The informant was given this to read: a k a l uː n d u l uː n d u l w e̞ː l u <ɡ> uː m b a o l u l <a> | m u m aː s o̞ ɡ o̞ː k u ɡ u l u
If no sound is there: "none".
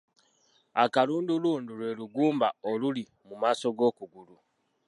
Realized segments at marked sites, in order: ɡ, i

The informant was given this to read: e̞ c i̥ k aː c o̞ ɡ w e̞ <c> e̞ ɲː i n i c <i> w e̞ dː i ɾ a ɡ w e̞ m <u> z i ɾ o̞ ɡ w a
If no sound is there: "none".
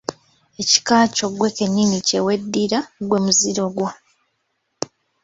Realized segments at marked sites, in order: k, e, u

